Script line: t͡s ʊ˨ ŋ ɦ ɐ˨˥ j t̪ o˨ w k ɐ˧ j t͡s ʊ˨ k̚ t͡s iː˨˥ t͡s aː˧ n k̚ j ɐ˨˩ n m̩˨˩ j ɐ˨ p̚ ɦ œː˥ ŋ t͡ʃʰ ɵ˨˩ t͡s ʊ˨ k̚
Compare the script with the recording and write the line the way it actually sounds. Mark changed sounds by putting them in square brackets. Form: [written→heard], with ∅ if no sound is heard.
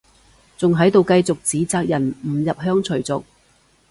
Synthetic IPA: t͡s ʊ˨ ŋ ɦ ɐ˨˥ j t̪ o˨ w k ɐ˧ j t͡s ʊ˨ k̚ t͡s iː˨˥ t͡s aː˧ [n→∅] k̚ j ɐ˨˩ n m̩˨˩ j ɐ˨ p̚ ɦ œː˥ ŋ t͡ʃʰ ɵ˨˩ t͡s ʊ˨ k̚

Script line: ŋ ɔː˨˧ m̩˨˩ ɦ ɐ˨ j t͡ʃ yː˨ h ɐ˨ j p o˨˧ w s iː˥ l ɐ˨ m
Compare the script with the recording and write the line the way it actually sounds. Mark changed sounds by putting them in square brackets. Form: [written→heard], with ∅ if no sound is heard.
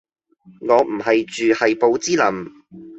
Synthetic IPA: ŋ ɔː˨˧ m̩˨˩ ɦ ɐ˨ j t͡ʃ yː˨ h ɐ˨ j p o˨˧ w [s→t͡s] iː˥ l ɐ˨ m

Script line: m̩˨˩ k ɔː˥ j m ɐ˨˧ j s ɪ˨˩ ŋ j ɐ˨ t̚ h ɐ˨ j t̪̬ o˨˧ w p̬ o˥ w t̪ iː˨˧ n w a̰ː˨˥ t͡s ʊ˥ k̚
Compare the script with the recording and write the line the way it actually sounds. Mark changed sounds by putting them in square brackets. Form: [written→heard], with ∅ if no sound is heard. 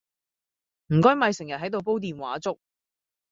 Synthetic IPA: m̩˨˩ k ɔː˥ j m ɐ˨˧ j s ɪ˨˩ ŋ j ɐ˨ t̚ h [ɐ˨→ɐ˨˥] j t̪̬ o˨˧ w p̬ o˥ w t̪ iː˨˧ n w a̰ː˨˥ t͡s ʊ˥ k̚

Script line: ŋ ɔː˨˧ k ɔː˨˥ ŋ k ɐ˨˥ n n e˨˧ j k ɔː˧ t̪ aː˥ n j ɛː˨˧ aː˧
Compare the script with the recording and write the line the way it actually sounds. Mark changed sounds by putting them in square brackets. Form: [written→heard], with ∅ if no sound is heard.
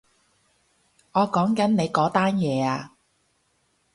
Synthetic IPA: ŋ ɔː˨˧ k ɔː˨˥ ŋ k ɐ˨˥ n n e˨˧ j k [ɔː˧→ɔː˨˥] t̪ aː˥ n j ɛː˨˧ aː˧

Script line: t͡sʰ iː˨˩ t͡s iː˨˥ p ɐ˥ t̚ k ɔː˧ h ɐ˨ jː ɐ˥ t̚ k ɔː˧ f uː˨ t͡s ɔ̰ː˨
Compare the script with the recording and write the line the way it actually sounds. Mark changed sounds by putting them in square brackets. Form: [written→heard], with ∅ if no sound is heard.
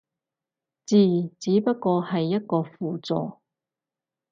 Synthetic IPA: [t͡sʰ→t͡s] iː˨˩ t͡s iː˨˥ p ɐ˥ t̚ k ɔː˧ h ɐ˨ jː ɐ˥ t̚ k ɔː˧ f uː˨ t͡s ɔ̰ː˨

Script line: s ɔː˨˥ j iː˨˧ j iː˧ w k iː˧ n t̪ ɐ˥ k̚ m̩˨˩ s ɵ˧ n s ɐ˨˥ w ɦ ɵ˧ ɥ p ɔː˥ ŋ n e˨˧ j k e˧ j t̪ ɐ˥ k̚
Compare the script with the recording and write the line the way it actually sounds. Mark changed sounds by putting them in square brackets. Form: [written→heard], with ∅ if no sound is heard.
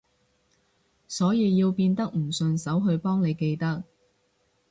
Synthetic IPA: s ɔː˨˥ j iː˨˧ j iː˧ w [k→p] iː˧ n t̪ ɐ˥ k̚ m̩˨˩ s ɵ˧ n s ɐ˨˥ w ɦ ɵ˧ ɥ p ɔː˥ ŋ n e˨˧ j k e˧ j t̪ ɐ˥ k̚

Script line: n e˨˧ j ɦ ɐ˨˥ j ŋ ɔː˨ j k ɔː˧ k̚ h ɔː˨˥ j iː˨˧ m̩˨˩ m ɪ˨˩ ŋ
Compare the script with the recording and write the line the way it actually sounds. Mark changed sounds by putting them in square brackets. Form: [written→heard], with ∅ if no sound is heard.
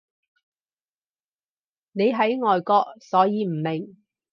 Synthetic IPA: n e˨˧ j ɦ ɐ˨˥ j ŋ ɔː˨ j k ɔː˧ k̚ [h→s] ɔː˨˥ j iː˨˧ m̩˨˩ m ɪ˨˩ ŋ

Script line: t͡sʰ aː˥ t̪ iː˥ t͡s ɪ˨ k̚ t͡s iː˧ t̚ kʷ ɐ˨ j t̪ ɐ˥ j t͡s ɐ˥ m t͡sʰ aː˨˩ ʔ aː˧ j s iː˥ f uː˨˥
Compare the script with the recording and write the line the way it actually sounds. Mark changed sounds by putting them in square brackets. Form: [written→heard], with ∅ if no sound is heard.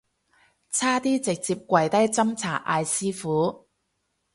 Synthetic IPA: t͡sʰ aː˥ t̪ iː˥ t͡s ɪ˨ k̚ t͡s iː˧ [t̚→p̚] kʷ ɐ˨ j t̪ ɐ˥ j t͡s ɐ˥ m t͡sʰ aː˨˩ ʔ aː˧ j s iː˥ f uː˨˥

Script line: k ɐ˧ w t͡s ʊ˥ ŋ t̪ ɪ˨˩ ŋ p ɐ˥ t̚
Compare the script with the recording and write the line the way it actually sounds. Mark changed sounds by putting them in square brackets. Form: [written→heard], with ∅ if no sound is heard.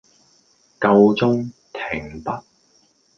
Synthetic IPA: k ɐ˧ w t͡s ʊ˥ ŋ [t̪→t̪ʰ] ɪ˨˩ ŋ p ɐ˥ t̚

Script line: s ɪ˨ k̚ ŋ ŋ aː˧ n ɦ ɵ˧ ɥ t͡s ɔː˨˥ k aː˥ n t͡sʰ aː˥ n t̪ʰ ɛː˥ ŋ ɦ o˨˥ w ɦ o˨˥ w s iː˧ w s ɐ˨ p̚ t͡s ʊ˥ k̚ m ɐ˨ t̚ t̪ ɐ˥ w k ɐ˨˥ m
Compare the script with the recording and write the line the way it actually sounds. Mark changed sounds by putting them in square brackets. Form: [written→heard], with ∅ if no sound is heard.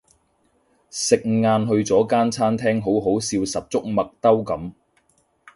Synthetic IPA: s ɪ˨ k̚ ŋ ŋ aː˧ n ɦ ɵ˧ ɥ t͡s ɔː˨˥ k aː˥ n t͡sʰ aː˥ n t̪ʰ ɛː˥ ŋ ɦ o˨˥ w ɦ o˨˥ w s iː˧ w s ɐ˨ p̚ t͡s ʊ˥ k̚ m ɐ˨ [t̚→k̚] t̪ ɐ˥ w k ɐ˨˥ m

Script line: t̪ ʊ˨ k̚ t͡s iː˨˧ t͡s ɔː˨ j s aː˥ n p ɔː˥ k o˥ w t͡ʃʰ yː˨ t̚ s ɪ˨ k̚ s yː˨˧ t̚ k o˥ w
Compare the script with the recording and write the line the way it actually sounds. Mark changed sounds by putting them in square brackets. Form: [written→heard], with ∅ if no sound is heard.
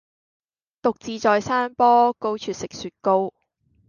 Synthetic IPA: t̪ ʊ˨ k̚ t͡s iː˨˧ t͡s ɔː˨ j s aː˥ n p ɔː˥ k o˥ w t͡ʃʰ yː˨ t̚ s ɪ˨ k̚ s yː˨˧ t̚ k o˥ w

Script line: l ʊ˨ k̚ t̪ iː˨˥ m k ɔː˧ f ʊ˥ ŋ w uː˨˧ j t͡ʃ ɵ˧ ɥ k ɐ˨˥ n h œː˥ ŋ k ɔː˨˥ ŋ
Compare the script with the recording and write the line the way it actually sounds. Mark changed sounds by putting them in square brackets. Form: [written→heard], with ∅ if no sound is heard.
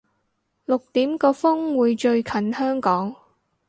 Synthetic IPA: l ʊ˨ k̚ t̪ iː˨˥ m k ɔː˧ f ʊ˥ ŋ w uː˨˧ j t͡ʃ ɵ˧ ɥ [k→kʰ] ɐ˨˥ n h œː˥ ŋ k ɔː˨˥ ŋ

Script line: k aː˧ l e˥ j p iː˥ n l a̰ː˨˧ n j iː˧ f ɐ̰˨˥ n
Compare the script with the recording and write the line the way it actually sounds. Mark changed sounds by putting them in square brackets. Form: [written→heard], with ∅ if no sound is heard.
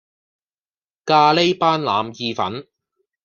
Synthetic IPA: k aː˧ l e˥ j p [iː˥→aː˥] n l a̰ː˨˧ [n→m] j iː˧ f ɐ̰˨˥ n

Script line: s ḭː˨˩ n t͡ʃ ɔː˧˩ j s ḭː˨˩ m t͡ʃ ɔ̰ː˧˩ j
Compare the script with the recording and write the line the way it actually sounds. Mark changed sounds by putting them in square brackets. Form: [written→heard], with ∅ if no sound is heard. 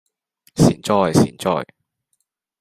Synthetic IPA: s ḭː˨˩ n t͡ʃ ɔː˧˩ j s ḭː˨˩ [m→n] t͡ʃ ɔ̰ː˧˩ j

